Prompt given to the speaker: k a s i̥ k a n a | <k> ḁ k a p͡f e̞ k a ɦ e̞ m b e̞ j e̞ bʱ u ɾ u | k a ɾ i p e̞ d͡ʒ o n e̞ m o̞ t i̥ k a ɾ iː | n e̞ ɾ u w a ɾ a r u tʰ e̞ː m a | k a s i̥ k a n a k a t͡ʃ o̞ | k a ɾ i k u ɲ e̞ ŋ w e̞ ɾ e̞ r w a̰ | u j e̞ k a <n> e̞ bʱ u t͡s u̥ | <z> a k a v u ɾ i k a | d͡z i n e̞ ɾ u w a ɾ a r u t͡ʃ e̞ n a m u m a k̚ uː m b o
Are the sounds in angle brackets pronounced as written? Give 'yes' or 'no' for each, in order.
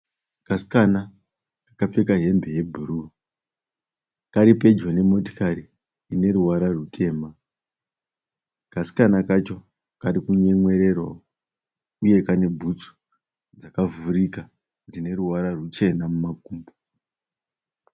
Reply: yes, yes, no

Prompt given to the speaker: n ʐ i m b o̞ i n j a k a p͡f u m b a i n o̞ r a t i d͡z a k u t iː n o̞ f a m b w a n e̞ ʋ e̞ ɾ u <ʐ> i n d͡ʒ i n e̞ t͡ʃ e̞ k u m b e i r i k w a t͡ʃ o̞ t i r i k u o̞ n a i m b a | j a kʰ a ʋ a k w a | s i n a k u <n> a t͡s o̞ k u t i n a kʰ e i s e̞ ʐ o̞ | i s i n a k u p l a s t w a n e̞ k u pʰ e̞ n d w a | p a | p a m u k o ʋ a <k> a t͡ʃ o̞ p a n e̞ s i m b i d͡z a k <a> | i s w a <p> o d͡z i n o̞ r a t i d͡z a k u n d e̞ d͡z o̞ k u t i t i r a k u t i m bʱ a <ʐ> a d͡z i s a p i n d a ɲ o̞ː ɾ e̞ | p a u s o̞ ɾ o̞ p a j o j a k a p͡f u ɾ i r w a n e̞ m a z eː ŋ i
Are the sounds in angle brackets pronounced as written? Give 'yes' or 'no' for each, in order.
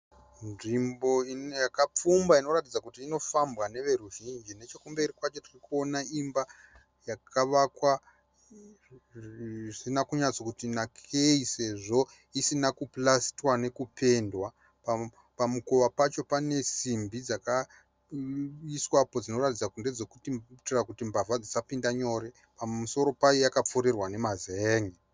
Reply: no, no, no, yes, yes, no

